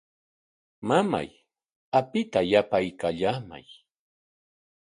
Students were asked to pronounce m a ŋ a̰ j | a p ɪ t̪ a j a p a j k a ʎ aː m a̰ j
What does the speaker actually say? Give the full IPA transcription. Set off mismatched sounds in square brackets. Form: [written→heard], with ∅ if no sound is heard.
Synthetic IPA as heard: m a [ŋ→m] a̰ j | a p ɪ t̪ a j a p a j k a ʎ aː m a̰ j